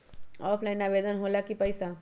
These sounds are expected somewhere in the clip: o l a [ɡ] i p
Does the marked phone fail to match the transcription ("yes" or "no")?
yes